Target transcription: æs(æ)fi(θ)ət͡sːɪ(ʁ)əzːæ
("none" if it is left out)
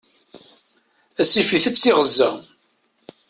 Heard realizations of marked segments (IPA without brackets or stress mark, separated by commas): i, θ, ʁ